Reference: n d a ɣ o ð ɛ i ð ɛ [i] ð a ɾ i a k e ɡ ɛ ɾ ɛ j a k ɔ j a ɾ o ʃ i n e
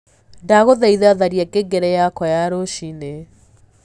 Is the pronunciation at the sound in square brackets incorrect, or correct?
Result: incorrect